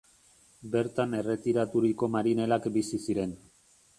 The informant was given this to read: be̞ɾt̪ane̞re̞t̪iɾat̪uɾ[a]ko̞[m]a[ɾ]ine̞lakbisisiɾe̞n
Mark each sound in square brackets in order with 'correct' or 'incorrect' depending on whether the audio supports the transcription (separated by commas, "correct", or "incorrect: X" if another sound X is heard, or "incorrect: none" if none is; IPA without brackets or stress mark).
incorrect: i, correct, correct